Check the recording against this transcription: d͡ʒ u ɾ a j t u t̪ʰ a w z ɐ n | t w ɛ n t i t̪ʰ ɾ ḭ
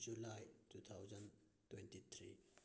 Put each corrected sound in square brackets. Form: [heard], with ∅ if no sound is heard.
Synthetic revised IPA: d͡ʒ u [l] a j t u t̪ʰ a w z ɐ n | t w ɛ n t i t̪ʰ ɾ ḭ